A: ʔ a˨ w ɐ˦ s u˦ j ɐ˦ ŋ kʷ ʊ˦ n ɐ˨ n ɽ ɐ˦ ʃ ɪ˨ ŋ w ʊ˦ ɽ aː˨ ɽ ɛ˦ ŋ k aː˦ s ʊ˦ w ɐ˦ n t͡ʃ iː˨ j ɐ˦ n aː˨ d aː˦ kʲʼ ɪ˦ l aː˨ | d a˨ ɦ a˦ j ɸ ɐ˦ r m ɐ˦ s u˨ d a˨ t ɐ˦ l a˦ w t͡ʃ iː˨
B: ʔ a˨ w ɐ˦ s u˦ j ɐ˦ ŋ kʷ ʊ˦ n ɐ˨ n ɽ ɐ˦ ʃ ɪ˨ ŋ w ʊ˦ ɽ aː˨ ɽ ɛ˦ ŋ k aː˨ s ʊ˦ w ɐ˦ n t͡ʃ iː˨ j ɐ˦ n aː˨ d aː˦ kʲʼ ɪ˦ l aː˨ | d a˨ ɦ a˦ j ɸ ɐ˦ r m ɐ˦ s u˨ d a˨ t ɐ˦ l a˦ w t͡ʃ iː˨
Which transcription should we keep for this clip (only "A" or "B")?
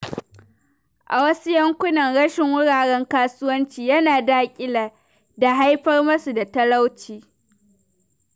A